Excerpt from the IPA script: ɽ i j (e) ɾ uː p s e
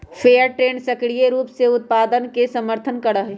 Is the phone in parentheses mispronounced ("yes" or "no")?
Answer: no